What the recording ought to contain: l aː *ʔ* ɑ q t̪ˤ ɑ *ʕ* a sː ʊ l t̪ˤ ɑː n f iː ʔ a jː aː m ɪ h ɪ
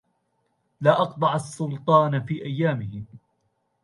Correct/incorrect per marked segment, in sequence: correct, correct

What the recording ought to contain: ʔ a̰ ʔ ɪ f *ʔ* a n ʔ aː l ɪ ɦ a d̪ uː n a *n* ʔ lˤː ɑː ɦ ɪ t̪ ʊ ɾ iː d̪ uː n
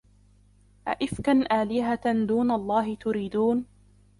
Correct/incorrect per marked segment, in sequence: incorrect, incorrect

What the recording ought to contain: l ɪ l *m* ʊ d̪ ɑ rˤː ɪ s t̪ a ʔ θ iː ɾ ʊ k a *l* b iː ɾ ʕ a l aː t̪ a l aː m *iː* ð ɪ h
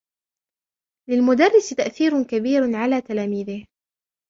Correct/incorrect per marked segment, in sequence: correct, incorrect, correct

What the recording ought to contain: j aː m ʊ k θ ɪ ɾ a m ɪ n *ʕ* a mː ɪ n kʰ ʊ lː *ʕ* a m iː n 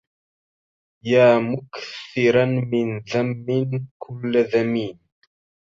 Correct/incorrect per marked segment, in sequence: incorrect, incorrect

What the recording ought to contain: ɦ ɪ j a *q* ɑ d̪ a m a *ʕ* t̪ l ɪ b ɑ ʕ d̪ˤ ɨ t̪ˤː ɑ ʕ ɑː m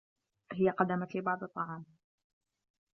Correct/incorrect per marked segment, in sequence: correct, incorrect

